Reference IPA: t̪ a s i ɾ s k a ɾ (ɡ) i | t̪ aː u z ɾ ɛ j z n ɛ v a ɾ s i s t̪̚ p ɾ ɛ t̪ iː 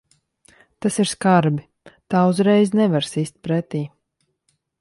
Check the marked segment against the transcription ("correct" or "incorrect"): incorrect